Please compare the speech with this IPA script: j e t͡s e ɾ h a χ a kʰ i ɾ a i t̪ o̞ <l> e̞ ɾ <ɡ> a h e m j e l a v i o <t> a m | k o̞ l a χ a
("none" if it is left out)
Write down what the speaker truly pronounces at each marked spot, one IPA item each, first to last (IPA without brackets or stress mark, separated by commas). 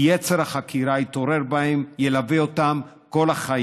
ɾ, b, t